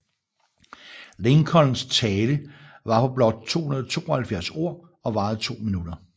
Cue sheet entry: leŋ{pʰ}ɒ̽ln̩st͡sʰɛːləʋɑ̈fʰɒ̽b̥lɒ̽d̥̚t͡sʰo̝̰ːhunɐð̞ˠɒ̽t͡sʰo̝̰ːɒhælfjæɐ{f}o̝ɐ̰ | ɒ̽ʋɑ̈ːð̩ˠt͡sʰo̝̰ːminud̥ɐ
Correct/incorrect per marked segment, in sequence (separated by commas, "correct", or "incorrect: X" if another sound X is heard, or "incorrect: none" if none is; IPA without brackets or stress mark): incorrect: kʰ, incorrect: s